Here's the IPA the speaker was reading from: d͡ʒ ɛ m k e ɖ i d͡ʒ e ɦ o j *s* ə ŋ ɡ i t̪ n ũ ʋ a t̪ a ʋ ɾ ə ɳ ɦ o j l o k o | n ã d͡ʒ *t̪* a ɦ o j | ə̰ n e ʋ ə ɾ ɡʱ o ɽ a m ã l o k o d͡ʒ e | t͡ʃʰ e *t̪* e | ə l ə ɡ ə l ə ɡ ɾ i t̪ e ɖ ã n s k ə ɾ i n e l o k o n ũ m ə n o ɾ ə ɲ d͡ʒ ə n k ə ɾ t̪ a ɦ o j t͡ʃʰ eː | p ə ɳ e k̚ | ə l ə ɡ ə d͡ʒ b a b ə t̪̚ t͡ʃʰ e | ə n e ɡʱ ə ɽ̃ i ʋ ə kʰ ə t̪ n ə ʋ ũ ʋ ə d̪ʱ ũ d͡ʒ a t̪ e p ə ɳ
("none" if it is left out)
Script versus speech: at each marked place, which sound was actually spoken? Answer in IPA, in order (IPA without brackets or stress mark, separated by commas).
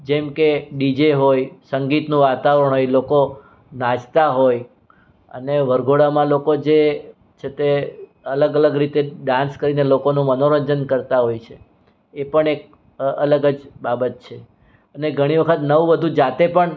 s, t̪, t̪